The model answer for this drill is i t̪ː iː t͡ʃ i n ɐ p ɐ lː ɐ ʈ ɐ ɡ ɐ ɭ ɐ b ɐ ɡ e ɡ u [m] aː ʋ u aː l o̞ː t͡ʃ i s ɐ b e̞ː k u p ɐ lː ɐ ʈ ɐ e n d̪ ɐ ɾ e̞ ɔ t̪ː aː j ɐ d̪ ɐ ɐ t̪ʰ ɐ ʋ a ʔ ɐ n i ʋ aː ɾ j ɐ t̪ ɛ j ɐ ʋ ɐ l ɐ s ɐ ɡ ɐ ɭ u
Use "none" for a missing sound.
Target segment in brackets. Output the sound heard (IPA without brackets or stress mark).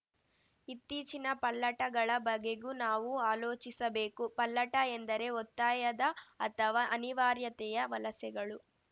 n